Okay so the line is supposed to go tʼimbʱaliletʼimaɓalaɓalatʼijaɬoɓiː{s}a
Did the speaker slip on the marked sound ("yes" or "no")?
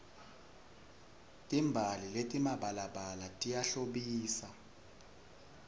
no